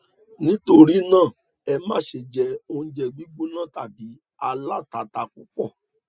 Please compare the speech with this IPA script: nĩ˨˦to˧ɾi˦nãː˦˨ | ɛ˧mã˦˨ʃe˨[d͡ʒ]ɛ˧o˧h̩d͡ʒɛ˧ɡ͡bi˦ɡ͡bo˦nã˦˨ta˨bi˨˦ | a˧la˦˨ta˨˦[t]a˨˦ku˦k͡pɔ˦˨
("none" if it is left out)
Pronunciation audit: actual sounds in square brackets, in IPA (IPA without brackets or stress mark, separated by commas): d͡ʒ, t